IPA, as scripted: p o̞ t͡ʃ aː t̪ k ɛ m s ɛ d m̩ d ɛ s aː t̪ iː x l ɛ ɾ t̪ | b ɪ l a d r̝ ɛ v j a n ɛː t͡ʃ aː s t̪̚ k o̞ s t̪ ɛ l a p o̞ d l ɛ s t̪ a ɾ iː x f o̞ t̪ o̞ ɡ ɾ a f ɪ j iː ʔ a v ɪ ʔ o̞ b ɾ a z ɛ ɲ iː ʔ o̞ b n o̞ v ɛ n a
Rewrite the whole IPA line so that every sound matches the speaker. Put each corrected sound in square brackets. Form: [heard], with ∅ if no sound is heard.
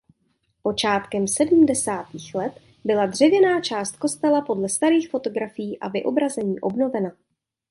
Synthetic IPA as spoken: p o̞ t͡ʃ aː t̪ k ɛ m s ɛ d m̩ d ɛ s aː t̪ iː x l ɛ [∅] t̪ | b ɪ l a d r̝ ɛ v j [ɛ] n [aː] t͡ʃ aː s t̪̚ k o̞ s t̪ ɛ l a p o̞ d l ɛ s t̪ a ɾ iː x f o̞ t̪ o̞ ɡ ɾ a f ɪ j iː ʔ a v ɪ ʔ o̞ b ɾ a z ɛ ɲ iː ʔ o̞ b n o̞ v ɛ n a